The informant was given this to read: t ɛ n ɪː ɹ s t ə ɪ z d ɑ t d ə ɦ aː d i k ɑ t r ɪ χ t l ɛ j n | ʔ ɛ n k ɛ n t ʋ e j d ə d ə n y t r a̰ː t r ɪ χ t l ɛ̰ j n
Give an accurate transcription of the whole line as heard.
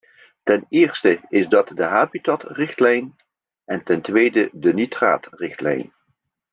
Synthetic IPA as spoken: t ɛ n ɪː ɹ s t ə ɪ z d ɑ t d ə ɦ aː b i t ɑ t r ɪ χ t l ɛ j n | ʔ ɛ n t ɛ n t ʋ e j d ə d ə n i t r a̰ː t r ɪ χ t l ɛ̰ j n

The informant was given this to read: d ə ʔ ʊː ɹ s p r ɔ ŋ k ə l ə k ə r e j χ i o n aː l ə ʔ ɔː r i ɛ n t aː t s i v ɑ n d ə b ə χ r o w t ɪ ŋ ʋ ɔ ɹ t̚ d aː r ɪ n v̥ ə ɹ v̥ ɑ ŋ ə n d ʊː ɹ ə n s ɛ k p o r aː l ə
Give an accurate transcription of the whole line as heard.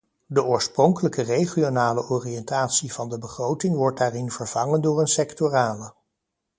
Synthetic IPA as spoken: d ə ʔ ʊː ɹ s p r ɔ ŋ k ə l ə k ə r e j χ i o n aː l ə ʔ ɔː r i ɛ n t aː t s i v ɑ n d ə b ə χ r o w t ɪ ŋ ʋ ɔ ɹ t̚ d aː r ɪ n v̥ ə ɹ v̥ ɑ ŋ ə n d ʊː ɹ ə n s ɛ k t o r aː l ə

